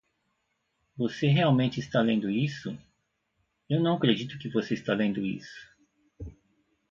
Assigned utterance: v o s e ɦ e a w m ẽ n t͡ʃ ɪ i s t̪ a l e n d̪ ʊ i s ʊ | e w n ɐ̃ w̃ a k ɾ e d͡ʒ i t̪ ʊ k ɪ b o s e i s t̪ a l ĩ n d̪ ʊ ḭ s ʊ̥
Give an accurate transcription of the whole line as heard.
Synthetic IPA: v o s e ɦ e a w m ẽ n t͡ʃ ɪ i s t̪ a l ẽ n d̪ ʊ i s ʊ | e w n ɐ̃ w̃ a k ɾ e d͡ʒ i t̪ ʊ k ɪ v o s e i s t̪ a l ẽ n d̪ ʊ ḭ s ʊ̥